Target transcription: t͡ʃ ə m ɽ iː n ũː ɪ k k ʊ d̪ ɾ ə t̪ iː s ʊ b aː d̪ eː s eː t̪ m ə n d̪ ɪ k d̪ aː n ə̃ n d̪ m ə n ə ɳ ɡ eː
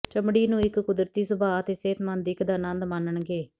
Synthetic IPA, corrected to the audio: t͡ʃ ə m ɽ iː n ũː ɪ k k ʊ d̪ ɾ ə t̪ iː s ʊ b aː t̪ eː s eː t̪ m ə n d̪ ɪ k d̪ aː n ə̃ n d̪ m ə n ə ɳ ɡ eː